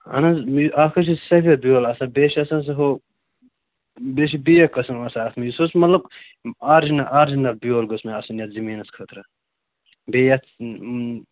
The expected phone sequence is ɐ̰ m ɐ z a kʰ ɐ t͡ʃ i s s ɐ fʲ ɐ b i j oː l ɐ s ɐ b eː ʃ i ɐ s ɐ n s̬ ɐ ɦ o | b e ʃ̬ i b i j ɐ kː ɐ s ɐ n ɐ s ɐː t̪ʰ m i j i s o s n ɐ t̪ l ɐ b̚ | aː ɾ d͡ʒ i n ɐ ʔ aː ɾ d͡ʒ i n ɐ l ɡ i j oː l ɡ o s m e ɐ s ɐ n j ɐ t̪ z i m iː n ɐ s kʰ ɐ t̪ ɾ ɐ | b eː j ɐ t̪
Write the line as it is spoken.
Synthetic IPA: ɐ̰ n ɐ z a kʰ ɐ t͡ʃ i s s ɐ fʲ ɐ b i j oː l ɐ s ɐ b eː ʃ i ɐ s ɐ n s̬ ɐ ɦ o | b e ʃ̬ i b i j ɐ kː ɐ s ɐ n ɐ s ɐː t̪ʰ m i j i s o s m ɐ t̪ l ɐ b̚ | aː ɾ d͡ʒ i n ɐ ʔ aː ɾ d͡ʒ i n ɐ l b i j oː l ɡ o s m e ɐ s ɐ n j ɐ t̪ z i m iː n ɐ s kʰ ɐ t̪ ɾ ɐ | b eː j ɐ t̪